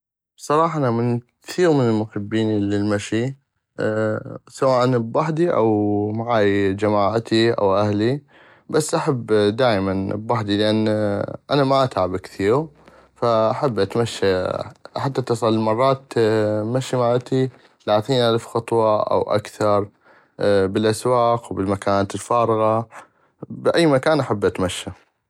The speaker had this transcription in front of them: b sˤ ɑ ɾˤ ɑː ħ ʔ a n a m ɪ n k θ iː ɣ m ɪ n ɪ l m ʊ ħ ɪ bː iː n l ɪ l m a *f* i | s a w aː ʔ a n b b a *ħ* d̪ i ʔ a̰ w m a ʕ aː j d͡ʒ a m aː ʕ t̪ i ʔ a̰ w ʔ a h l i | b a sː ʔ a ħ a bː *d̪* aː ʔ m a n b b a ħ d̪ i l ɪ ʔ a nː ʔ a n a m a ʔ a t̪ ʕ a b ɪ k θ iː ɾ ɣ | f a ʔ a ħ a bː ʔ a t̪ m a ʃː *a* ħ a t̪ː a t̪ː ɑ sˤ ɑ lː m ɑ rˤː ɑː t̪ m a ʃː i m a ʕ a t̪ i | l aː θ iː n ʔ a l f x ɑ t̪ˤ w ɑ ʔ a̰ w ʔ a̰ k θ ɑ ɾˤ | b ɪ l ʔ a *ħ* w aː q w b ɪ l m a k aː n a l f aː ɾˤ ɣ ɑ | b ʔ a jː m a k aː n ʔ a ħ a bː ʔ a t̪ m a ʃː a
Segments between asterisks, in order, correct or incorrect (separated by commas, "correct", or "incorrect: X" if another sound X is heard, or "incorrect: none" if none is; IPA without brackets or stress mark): incorrect: ʃ, correct, correct, correct, incorrect: s